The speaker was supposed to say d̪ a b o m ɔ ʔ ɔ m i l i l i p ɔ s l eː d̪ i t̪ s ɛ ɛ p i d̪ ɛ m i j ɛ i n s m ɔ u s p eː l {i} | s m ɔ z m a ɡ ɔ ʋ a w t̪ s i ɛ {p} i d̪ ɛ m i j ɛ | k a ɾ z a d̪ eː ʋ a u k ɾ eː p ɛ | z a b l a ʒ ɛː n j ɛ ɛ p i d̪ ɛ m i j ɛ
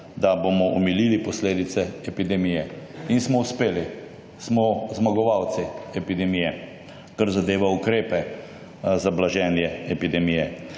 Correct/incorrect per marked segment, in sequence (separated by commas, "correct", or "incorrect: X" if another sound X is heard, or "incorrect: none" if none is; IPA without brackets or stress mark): correct, correct